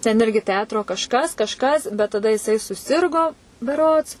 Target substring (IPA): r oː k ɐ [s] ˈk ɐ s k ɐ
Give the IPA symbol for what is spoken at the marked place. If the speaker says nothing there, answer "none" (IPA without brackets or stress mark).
ʃ